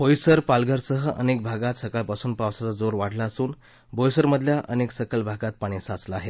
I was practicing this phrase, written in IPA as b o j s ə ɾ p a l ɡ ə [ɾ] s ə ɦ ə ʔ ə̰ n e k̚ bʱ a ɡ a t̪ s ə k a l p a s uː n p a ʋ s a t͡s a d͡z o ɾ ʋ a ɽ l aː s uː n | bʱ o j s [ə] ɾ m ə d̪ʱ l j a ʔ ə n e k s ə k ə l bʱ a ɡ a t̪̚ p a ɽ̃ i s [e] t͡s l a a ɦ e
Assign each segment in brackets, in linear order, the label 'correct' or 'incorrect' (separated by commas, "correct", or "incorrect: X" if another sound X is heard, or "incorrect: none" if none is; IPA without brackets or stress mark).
correct, correct, incorrect: a